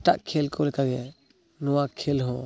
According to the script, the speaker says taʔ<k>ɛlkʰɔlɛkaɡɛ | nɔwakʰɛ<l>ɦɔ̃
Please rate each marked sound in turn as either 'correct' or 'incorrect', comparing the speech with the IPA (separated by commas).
incorrect, correct